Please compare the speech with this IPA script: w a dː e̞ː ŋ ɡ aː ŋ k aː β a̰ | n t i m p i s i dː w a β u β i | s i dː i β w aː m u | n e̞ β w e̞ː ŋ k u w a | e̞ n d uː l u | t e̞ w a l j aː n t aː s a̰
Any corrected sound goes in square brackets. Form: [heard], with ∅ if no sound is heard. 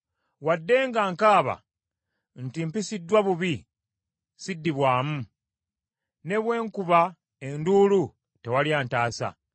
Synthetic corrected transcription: w a dː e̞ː ŋ ɡ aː ŋ k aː β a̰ | n t i m p i s i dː w a β u β i | s i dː i β w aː m u | n e̞ β w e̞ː ŋ k u [β] a | e̞ n d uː l u | t e̞ w a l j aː n t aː s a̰